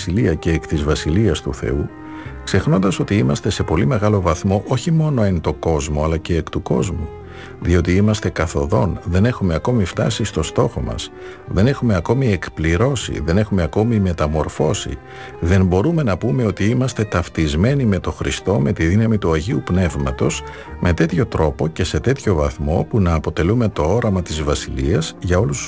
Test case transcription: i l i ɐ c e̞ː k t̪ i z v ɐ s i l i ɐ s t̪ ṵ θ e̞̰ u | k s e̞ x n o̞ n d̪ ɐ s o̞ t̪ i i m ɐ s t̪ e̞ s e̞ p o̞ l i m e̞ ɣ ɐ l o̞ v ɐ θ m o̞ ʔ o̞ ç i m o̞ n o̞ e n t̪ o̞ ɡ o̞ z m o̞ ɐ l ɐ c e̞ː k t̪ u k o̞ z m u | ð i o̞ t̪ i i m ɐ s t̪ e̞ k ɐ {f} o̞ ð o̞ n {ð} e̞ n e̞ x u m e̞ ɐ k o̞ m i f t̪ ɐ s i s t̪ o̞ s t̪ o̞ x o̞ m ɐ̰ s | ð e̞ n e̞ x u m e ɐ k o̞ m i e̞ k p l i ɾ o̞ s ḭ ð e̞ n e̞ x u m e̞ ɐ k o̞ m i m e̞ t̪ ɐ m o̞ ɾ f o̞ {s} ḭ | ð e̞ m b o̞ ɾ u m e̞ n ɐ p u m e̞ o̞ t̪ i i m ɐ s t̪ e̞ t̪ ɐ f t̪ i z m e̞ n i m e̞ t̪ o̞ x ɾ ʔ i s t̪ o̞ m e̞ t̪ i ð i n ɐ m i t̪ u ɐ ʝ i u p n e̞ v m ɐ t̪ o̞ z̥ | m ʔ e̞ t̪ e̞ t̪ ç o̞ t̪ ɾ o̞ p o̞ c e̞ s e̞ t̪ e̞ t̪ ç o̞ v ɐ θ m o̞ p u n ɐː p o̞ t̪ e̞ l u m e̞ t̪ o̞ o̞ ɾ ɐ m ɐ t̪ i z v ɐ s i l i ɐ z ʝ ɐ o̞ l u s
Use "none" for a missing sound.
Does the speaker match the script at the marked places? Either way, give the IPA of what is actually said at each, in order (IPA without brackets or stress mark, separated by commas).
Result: θ, ð, s